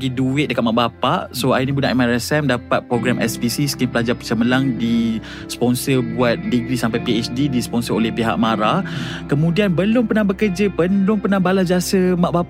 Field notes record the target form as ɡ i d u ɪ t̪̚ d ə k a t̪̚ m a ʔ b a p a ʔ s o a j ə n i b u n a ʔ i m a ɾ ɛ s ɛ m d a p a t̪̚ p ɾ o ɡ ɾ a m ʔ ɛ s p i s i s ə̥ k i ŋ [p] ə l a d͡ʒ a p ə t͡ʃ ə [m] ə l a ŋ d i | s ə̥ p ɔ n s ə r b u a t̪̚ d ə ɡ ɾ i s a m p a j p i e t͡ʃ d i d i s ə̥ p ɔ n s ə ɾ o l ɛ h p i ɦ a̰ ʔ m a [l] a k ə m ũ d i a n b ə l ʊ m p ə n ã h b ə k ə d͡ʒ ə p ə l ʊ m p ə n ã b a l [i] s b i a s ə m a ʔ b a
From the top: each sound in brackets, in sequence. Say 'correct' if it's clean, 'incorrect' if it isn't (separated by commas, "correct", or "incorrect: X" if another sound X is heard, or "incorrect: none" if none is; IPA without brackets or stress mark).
correct, correct, incorrect: ɾ, incorrect: a